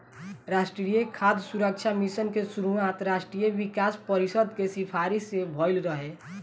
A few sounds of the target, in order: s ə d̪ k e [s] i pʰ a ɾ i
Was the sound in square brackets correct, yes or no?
yes